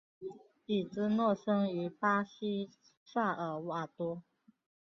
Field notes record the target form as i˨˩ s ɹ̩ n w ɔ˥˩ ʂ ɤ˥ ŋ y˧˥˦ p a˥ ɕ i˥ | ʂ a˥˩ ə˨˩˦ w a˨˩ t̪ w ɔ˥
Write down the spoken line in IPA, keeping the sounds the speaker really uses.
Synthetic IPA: i˨˩ t͡s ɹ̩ n w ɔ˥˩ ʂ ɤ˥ ŋ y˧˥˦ p a˥ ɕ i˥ | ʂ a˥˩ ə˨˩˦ w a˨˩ t̪ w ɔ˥